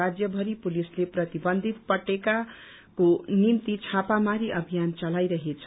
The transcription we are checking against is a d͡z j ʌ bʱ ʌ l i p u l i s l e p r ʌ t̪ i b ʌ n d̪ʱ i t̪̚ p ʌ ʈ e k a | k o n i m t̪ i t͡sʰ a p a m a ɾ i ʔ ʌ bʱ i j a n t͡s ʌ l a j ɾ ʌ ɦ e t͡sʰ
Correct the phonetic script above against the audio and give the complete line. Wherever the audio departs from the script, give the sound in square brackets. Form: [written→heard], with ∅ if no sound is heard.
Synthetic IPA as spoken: a d͡z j ʌ bʱ ʌ [l→ɾ] i p u l i s l e p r ʌ t̪ i b ʌ n d̪ʱ i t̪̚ p ʌ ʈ e k a | k o n i m t̪ i t͡sʰ a p a m a ɾ i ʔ ʌ bʱ i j a n t͡s ʌ l a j ɾ ʌ ɦ e t͡sʰ